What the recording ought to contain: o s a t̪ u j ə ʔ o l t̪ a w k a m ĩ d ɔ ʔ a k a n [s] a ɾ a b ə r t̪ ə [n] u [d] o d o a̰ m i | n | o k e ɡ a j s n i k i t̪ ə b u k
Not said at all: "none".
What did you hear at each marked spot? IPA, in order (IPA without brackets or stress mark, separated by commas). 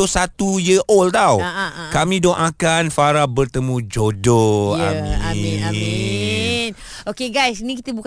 f, m, d͡ʒ